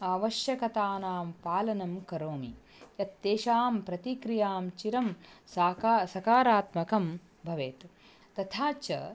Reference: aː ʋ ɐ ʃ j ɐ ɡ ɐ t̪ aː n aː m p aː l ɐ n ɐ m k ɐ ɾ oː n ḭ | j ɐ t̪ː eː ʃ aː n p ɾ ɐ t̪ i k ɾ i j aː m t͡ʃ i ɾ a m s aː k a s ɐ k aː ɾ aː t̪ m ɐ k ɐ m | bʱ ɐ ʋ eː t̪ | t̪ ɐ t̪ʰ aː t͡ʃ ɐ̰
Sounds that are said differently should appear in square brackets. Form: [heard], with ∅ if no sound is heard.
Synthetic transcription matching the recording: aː ʋ ɐ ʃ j ɐ [k] ɐ t̪ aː n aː m p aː l ɐ n ɐ m k ɐ ɾ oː [m] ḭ | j ɐ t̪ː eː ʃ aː [m] p ɾ ɐ t̪ i k ɾ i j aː m t͡ʃ i ɾ [ɐ] m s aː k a s ɐ k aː ɾ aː t̪ m ɐ k ɐ m | bʱ ɐ ʋ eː t̪ | t̪ ɐ t̪ʰ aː t͡ʃ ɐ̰